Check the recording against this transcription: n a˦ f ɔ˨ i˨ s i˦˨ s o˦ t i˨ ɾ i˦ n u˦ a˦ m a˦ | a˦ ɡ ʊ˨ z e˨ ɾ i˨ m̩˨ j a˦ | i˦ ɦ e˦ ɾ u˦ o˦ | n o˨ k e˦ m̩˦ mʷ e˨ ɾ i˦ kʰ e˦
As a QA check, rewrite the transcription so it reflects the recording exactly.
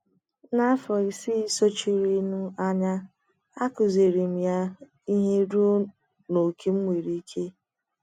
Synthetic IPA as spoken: n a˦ f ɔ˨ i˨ s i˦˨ s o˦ t͡ʃ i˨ ɾ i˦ n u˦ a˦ ɲ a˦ | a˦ k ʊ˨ z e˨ ɾ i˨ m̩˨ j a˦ | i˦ ɦ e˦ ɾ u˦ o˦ | n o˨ k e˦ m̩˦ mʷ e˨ ɾ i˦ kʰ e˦